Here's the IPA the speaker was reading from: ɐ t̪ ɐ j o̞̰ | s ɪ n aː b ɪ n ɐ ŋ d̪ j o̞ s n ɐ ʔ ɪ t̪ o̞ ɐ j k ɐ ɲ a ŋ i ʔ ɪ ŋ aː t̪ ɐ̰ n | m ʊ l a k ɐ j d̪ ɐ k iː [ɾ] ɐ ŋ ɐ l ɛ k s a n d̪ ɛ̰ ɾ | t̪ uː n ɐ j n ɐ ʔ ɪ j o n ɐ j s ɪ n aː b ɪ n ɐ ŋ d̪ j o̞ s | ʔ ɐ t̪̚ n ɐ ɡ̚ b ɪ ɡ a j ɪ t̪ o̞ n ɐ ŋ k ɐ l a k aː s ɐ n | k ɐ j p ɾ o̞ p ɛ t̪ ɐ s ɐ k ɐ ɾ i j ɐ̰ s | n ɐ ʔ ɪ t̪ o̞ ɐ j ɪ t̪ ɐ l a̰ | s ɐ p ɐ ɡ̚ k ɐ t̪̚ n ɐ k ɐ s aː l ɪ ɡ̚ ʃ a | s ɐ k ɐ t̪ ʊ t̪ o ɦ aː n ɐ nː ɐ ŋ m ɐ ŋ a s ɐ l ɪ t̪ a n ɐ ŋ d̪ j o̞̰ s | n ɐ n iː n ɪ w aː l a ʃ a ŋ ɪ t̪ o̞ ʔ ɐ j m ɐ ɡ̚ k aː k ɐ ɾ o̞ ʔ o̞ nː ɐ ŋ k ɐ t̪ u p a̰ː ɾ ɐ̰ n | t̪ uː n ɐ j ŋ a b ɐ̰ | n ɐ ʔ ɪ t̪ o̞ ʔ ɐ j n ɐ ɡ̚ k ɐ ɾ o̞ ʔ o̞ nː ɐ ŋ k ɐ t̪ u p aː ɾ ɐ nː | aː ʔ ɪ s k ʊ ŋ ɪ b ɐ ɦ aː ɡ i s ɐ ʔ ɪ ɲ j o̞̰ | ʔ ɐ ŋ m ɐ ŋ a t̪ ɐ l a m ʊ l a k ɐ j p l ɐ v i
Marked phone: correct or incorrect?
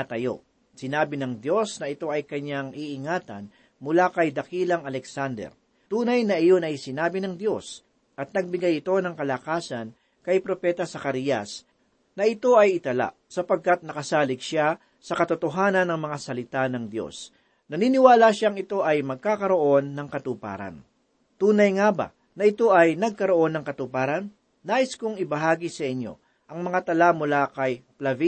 incorrect